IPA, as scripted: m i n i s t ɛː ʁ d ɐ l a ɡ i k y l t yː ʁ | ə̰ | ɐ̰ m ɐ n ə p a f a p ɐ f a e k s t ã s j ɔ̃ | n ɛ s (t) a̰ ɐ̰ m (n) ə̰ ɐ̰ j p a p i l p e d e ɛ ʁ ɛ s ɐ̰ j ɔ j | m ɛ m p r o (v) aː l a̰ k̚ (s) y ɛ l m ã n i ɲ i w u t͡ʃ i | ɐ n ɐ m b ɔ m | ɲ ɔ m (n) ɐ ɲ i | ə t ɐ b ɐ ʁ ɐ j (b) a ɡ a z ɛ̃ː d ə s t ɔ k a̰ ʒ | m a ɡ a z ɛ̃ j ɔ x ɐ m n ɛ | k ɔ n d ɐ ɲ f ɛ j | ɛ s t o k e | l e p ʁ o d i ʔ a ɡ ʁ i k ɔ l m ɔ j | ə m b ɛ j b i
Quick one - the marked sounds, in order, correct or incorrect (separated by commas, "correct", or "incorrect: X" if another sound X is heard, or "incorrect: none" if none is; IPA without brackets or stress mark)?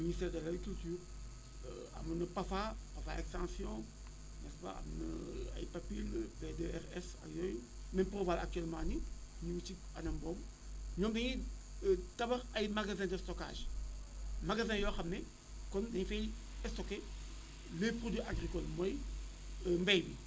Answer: incorrect: p, correct, correct, incorrect: t, incorrect: d, incorrect: m